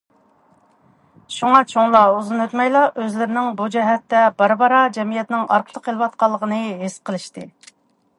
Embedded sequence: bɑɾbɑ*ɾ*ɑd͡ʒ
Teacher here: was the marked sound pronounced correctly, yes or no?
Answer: yes